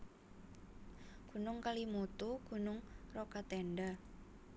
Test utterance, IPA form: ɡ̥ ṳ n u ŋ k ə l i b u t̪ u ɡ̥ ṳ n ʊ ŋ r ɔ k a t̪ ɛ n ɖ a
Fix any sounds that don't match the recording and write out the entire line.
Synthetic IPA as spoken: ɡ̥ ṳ n ʊ ŋ k a l i m u t̪ u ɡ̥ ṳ n ʊ ŋ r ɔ k a t̪ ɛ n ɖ a